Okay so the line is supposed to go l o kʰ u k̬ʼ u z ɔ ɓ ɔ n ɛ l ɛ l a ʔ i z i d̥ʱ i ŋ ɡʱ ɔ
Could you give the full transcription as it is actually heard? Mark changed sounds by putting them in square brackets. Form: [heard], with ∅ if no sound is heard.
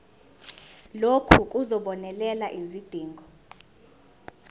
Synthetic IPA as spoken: l o kʰ u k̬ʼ u z ɔ ɓ ɔ n ɛ l ɛ l a ʔ i z i d̥ʱ [iː] ŋ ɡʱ ɔ